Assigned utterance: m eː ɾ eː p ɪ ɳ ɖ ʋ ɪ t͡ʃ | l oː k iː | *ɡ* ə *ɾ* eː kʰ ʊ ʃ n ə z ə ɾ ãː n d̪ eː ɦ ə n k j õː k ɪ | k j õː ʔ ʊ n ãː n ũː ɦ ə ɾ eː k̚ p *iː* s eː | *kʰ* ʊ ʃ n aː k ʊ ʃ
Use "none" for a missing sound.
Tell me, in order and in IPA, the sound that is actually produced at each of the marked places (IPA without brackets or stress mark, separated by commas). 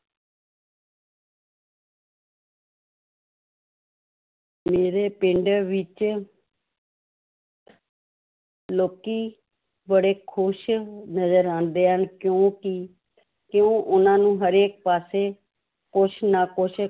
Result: b, ɽ, aː, k